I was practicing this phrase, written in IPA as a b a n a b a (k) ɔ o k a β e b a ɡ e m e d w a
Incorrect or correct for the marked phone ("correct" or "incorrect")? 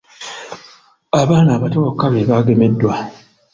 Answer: incorrect